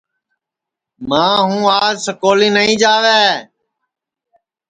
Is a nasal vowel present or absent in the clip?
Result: present